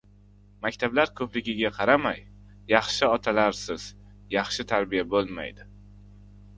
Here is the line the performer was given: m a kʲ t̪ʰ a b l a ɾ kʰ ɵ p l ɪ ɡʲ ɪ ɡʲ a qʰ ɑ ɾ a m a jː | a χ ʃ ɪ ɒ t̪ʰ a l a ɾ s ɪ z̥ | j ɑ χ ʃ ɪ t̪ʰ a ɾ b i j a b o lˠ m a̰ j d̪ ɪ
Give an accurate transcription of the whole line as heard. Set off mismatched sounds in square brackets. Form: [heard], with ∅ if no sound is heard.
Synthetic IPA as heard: m a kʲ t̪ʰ a b l a ɾ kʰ ɵ p l ɪ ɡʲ ɪ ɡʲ a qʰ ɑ ɾ a m a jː | [ɑ] χ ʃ ɪ ɒ t̪ʰ a l a ɾ s ɪ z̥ | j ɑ χ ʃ ɪ t̪ʰ a ɾ b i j a b o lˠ m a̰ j d̪ ɪ